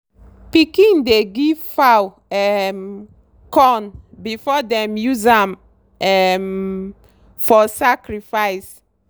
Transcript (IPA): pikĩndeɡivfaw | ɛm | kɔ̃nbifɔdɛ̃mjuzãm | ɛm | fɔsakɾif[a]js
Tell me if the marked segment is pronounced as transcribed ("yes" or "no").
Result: yes